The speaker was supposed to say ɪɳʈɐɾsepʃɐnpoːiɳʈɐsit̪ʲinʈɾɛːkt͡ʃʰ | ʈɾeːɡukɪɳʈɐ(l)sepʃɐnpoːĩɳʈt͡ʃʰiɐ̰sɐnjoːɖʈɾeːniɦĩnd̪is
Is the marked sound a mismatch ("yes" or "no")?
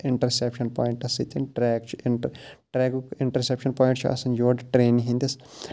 yes